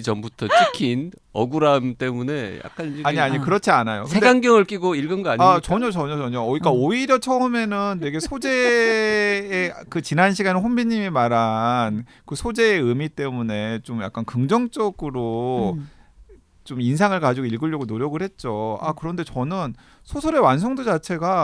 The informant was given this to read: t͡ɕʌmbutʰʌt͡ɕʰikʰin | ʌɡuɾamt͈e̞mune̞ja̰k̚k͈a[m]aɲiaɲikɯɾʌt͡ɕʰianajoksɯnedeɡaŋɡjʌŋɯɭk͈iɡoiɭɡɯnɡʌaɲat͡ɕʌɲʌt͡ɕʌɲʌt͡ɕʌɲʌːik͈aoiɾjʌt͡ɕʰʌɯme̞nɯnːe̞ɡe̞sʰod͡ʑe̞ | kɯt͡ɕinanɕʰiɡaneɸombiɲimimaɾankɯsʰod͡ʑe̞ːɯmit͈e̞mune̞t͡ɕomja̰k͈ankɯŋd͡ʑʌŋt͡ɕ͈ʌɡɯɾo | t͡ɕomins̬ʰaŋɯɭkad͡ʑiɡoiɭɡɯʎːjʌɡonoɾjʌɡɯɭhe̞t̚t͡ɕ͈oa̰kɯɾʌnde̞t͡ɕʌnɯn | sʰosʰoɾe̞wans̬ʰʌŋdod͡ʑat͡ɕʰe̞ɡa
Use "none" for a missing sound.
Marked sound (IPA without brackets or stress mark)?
n